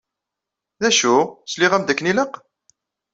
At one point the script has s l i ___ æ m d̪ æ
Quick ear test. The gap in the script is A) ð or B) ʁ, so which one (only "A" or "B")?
B